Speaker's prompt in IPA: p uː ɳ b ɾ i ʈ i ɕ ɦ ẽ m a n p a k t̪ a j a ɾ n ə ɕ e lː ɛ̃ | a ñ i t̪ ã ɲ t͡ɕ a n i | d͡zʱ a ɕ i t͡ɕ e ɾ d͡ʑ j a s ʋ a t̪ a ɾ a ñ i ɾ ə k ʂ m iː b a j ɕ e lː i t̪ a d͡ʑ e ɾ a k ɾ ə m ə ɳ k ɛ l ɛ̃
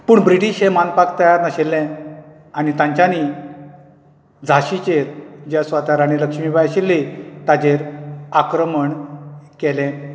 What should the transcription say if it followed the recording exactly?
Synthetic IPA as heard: p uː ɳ b ɾ i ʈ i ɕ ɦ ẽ m a n p a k t̪ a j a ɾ n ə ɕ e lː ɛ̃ | a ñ i t̪ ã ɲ t͡ɕ a n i | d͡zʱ a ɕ i t͡ɕ e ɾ d͡ʑ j a s ʋ a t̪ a ɾ a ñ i l ə k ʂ m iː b a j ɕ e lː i t̪ a d͡ʑ e ɾ a k ɾ ə m ə ɳ k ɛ l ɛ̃